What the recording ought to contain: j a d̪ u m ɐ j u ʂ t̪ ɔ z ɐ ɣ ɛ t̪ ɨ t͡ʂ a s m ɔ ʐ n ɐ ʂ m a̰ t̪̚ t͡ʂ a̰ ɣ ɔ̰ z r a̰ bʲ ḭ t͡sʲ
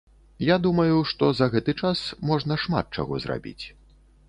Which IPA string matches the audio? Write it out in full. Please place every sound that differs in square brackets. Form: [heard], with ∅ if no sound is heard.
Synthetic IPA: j a d̪ u m ɐ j u ʂ t̪ ɔ z ɐ ɣ ɛ t̪ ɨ t͡ʂ a s m ɔ ʐ n ɐ ʂ m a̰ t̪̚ t͡ʂ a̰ ɣ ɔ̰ z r a̰ bʲ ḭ t͡sʲ

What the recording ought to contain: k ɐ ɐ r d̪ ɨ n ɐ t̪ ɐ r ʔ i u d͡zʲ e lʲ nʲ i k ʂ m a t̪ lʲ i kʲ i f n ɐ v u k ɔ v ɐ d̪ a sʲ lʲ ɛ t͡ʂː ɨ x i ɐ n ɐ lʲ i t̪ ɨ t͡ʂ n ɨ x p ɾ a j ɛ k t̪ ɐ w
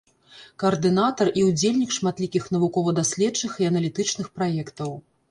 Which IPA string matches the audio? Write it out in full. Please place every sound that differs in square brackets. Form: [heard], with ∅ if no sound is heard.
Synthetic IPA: k ɐ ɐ r d̪ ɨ n [a] t̪ ɐ r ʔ i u d͡zʲ e lʲ nʲ i k ʂ m a t̪ lʲ i kʲ i [x] n ɐ v u k ɔ v ɐ d̪ a sʲ lʲ ɛ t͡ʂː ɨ x i ɐ n ɐ lʲ i t̪ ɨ t͡ʂ n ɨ x p ɾ a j ɛ k t̪ ɐ w

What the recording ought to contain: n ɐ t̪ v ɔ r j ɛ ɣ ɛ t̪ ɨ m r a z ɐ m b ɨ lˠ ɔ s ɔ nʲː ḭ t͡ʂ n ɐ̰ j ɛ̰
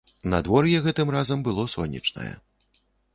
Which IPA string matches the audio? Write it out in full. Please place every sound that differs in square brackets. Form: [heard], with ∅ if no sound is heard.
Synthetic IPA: n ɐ [d̪] v ɔ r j ɛ ɣ ɛ t̪ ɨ m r a z ɐ m b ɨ lˠ ɔ s ɔ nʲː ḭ t͡ʂ n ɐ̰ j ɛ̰

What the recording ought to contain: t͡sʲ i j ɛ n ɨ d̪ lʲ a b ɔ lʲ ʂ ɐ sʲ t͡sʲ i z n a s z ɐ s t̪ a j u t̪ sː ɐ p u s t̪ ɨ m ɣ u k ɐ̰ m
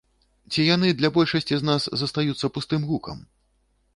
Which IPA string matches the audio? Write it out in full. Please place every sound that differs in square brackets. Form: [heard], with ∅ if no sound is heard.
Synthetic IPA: t͡sʲ i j [a] n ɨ d̪ lʲ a b ɔ lʲ ʂ ɐ sʲ t͡sʲ i z n a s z ɐ s t̪ a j u t̪ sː ɐ p u s t̪ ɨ m ɣ u k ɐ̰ m

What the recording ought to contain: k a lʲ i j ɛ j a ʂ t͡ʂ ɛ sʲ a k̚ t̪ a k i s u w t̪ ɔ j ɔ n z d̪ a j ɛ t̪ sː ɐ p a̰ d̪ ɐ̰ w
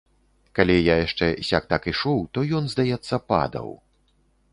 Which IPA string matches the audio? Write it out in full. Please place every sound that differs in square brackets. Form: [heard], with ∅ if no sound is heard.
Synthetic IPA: k a lʲ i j [a] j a ʂ t͡ʂ ɛ sʲ a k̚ t̪ a k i [ʂ] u w t̪ ɔ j ɔ n z d̪ a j ɛ t̪ sː ɐ p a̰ d̪ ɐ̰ w

